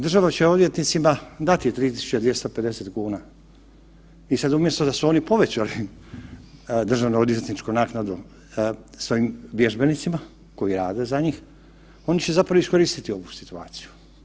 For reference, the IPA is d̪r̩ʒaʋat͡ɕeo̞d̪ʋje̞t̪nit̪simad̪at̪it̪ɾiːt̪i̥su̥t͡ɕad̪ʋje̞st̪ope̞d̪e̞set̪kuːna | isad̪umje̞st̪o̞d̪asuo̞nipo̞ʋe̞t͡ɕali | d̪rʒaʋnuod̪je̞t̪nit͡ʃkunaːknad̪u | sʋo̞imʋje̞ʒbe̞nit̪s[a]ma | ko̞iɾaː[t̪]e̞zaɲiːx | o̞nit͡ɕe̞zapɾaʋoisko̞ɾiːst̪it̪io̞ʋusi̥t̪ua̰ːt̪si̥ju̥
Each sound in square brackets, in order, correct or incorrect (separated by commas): incorrect, incorrect